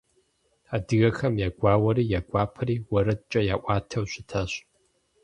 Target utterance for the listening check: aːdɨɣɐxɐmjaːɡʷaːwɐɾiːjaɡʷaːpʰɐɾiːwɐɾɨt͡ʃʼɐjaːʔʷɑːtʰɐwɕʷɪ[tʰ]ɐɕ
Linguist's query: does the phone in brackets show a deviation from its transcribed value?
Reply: no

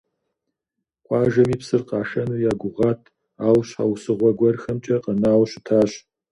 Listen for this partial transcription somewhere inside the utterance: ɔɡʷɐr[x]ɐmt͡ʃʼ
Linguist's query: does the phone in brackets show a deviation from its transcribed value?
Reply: no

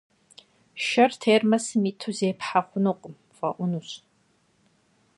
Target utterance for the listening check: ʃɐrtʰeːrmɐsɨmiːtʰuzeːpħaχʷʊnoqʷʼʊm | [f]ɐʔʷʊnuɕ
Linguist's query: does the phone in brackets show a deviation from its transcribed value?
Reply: no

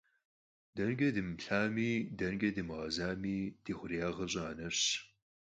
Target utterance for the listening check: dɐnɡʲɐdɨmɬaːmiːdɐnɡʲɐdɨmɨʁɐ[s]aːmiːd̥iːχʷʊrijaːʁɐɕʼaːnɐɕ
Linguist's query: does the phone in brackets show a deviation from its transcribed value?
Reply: yes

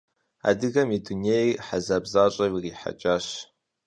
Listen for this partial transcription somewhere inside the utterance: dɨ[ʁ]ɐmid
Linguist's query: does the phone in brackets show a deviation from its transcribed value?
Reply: yes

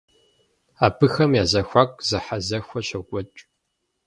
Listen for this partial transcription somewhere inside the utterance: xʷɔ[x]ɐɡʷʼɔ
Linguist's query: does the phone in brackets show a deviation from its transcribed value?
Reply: yes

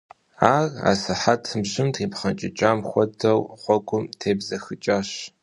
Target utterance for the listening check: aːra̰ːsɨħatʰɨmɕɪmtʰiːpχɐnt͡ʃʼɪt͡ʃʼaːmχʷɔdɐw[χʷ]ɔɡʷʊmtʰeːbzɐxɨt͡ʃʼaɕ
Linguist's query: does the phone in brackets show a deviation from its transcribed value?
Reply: no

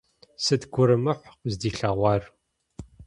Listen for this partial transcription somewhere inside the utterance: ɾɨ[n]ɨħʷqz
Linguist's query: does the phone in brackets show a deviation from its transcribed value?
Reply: yes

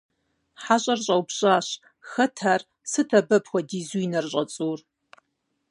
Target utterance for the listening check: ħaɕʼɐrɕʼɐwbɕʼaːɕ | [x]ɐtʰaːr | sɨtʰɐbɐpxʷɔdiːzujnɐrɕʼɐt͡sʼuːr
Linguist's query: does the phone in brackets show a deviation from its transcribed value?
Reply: no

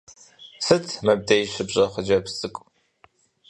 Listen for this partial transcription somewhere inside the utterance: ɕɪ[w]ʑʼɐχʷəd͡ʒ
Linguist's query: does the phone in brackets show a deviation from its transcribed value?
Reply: yes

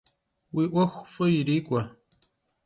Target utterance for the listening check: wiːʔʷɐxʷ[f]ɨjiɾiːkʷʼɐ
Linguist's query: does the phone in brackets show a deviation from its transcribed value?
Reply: no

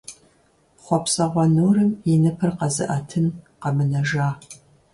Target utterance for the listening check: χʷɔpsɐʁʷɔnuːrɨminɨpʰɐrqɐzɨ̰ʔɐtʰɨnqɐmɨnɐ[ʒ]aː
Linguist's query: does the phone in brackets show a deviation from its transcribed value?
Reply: no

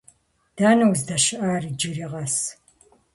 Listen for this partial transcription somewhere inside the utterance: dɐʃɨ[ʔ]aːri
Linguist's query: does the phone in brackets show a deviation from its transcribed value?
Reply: no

